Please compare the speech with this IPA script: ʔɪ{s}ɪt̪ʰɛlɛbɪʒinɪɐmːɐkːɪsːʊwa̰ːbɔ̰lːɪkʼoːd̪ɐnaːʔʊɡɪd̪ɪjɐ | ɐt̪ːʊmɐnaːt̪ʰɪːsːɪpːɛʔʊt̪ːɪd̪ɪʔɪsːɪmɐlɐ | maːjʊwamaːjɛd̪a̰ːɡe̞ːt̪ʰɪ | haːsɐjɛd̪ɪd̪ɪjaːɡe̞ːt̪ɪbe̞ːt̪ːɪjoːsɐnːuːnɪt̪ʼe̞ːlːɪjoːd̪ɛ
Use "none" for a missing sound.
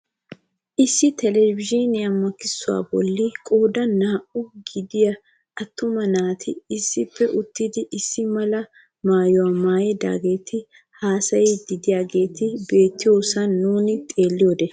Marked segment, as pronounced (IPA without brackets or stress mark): sː